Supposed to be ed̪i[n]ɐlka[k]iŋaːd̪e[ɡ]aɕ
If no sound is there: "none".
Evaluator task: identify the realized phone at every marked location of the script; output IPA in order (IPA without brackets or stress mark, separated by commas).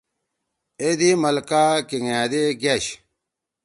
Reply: m, k, ɡ